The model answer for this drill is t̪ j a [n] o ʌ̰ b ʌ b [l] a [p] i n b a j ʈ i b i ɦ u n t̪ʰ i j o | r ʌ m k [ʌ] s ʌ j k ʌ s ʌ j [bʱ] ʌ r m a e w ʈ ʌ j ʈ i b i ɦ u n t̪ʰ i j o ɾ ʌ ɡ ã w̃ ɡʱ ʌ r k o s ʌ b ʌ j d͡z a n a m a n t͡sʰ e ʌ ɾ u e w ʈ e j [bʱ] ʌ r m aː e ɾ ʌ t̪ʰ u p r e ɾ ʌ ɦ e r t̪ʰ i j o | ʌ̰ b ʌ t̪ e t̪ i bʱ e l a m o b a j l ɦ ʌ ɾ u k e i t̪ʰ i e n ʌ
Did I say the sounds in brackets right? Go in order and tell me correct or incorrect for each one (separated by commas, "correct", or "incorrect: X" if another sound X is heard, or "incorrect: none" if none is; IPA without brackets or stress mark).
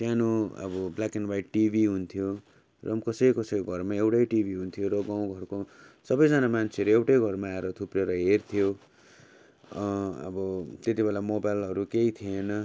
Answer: correct, correct, incorrect: k, correct, incorrect: ɡʱ, incorrect: ɡʱ